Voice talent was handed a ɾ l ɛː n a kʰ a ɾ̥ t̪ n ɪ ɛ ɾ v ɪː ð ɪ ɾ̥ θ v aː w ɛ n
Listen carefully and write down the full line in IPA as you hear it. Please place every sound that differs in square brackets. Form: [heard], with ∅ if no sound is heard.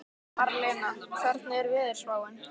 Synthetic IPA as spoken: a ɾ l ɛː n a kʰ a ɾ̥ t̪ n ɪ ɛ ɾ v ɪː ð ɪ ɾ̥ [s] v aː w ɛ n